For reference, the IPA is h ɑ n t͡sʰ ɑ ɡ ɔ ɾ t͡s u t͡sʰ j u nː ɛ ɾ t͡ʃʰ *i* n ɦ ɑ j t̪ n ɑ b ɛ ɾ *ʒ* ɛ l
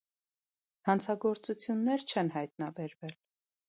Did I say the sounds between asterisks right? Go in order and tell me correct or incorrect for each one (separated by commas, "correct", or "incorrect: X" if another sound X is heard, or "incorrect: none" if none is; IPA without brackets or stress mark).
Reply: incorrect: ɛ, incorrect: v